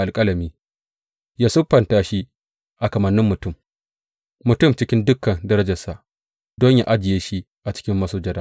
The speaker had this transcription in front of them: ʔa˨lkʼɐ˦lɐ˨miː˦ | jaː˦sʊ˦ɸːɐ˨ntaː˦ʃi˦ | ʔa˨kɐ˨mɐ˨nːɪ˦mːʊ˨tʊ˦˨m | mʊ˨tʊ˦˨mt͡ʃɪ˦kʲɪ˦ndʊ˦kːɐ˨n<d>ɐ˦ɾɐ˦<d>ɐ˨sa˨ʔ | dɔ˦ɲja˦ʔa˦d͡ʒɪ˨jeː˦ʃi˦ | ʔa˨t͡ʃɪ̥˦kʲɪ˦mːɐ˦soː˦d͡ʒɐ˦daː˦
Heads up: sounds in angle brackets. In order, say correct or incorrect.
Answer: correct, incorrect: d͡ʒ

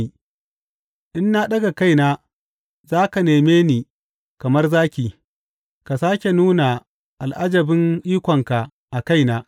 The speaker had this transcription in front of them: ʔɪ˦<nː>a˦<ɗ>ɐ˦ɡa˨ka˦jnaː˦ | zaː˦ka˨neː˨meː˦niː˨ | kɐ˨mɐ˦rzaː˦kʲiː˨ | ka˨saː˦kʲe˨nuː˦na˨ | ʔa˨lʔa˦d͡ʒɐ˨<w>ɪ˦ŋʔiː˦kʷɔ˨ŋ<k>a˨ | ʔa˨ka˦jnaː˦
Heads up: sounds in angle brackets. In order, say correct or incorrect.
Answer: correct, correct, incorrect: b, correct

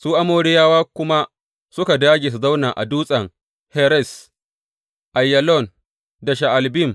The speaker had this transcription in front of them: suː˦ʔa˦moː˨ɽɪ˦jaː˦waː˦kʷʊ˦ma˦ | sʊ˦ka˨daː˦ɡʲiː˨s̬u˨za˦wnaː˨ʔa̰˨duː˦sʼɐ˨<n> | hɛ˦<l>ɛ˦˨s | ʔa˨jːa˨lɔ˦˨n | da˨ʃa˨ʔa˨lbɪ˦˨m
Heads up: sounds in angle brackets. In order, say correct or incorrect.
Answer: incorrect: ŋ, incorrect: ɾ

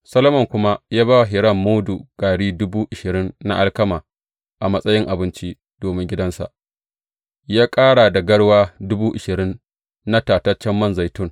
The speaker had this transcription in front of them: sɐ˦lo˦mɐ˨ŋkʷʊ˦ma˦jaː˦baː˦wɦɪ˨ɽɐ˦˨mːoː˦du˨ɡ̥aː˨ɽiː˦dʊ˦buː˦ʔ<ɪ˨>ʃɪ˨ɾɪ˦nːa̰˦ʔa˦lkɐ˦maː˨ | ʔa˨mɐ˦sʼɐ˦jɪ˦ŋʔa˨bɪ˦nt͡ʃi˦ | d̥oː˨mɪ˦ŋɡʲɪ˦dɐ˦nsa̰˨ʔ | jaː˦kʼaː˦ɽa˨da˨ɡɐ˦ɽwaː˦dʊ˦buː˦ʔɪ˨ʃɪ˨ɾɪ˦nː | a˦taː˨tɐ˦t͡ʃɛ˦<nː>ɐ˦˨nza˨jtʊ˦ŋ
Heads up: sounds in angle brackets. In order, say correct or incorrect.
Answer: correct, incorrect: mː

